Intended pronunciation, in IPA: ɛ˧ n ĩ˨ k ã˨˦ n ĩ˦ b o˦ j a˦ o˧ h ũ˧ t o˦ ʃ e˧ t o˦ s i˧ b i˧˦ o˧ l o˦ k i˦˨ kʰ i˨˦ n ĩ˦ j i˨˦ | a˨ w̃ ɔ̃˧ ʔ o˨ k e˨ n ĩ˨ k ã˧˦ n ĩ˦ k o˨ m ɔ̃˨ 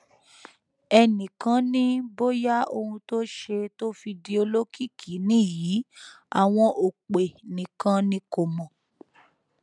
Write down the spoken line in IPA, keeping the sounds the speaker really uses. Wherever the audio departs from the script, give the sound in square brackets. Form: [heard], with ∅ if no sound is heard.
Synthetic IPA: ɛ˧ n ĩ˨ k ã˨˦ n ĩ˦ b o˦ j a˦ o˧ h ũ˧ t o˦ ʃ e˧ t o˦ [f] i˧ [d] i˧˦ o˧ l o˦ k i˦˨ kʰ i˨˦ n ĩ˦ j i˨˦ | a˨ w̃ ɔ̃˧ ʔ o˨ [k͡p] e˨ n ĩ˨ k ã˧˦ n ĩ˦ k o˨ m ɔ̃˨